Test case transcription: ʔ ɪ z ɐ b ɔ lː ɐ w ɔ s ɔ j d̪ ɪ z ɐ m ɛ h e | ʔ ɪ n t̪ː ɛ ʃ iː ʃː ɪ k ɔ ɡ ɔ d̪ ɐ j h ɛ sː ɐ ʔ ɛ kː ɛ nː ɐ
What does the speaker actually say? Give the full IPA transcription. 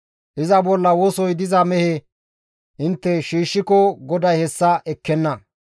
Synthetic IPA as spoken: ʔ ɪ z ɐ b ɔ lː ɐ w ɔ s ɔ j d̪ ɪ z ɐ m ɛ h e | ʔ ɪ n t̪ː ɛ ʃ iː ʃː ɪ k ɔ ɡ ɔ d̪ ɐ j h ɛ sː ɐ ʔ ɛ kː ɛ nː ɐ

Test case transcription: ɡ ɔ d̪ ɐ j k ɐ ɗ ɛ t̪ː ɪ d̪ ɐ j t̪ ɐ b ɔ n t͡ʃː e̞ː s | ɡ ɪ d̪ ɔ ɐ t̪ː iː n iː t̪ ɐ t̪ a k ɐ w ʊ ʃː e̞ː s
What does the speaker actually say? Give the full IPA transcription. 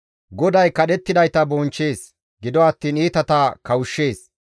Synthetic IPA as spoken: ɡ ɔ d̪ ɐ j k ɐ ɗ ɛ t̪ː ɪ d̪ ɐ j t̪ ɐ b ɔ n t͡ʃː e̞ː s | ɡ ɪ d̪ ɔ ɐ t̪ː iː n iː t̪ ɐ t̪ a k ɐ w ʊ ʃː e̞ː s

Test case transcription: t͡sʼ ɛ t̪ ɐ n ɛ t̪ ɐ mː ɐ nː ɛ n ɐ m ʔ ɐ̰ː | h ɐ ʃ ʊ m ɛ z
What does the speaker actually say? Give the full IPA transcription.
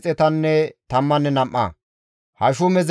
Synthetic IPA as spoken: t͡sʼ ɛ t̪ ɐ nː ɛ t̪ ɐ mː ɐ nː ɛ n ɐ m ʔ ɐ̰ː | h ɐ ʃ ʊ m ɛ z

